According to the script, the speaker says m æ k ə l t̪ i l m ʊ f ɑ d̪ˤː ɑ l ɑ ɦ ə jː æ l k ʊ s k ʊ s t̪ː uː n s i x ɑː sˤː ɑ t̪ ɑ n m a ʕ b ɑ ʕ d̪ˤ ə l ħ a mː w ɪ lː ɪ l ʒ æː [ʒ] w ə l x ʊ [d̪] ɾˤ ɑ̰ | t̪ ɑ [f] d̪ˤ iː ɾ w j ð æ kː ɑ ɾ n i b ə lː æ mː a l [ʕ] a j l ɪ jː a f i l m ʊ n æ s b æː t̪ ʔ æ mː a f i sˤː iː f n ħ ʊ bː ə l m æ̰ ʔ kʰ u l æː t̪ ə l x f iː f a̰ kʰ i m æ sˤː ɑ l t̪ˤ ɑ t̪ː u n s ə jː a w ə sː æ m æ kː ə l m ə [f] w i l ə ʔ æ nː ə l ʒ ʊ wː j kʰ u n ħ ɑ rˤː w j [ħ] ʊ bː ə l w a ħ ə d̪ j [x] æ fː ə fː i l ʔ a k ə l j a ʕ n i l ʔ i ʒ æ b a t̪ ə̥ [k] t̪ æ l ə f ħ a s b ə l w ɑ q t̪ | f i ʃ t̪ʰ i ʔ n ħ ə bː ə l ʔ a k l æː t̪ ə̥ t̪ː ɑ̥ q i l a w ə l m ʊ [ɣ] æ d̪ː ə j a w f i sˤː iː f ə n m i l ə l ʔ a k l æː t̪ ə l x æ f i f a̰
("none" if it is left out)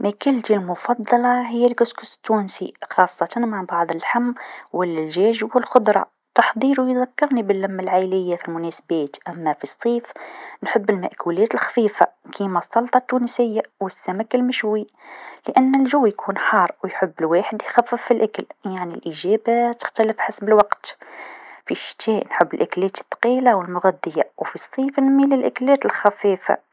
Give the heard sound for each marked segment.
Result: ʒ, d̪, ħ, ʕ, ʃ, ħ, x, x, ɣ

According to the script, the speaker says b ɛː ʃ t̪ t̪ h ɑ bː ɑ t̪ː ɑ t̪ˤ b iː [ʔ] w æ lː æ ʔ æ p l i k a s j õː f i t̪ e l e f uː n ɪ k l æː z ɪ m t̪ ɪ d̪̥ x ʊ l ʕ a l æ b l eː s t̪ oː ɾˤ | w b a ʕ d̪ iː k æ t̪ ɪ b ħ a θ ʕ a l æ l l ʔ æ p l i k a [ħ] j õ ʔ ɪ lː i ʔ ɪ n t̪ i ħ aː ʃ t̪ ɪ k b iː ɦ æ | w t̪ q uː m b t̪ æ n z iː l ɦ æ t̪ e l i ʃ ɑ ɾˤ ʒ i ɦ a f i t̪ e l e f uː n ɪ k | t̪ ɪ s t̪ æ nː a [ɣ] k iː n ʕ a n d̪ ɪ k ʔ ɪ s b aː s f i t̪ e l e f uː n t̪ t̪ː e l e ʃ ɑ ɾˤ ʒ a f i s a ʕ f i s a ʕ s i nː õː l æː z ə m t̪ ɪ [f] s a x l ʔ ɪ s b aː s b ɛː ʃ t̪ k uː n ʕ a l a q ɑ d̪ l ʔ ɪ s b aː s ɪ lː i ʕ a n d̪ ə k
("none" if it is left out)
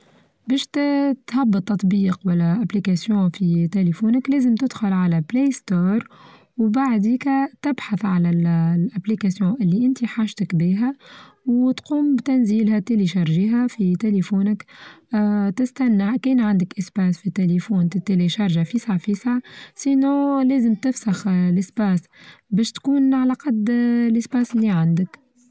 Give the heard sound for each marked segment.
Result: q, s, ʕ, f

